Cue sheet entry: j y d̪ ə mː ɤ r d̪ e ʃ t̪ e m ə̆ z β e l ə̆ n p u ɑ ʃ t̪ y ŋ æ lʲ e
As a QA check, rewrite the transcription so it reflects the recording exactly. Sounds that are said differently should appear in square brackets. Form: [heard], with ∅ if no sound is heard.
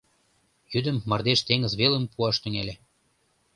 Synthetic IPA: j y d̪ ə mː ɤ r d̪ e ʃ t̪ e [ŋ] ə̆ z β e l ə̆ [m] p u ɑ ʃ t̪ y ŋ [e] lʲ e